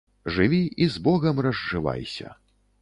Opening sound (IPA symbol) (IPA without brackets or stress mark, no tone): ʐ